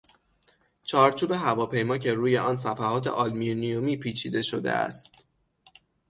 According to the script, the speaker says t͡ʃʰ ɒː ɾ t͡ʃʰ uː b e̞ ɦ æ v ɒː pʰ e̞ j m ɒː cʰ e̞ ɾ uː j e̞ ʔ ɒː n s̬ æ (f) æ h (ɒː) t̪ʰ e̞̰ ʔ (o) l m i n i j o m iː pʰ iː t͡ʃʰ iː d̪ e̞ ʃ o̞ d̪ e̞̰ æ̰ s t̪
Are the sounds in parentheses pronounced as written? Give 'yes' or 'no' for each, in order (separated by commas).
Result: yes, yes, no